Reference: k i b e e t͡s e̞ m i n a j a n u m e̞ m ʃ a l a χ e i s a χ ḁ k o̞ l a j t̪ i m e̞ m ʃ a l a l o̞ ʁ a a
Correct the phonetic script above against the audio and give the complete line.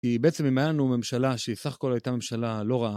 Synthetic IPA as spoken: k i b e e t͡s e̞ m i m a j a n u m e̞ m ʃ a l a ʃ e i s a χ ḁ k o̞ l a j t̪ a m e̞ m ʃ a l a l o̞ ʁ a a